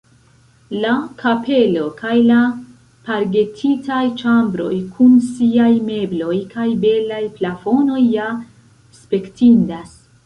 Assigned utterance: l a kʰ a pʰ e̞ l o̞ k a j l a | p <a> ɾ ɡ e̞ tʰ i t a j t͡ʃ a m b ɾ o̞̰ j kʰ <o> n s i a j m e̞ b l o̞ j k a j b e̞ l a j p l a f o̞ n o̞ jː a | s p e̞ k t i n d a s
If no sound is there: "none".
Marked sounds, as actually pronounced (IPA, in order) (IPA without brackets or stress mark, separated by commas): a, u